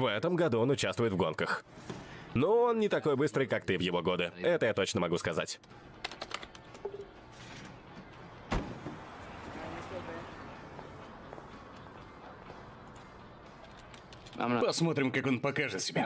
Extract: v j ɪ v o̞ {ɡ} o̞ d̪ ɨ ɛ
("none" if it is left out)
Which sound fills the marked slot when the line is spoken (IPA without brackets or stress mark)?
ɡ